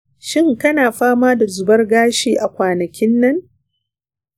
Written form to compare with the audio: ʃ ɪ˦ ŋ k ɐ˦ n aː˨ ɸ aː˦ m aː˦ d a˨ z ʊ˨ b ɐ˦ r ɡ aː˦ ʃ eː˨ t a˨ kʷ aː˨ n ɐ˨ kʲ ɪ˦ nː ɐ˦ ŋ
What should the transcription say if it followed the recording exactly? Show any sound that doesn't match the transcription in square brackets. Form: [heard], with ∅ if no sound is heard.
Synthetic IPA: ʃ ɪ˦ ŋ k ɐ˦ n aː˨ ɸ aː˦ m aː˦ d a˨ z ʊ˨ b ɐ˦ r ɡ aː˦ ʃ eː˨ [ʔ] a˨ kʷ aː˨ n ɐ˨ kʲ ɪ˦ nː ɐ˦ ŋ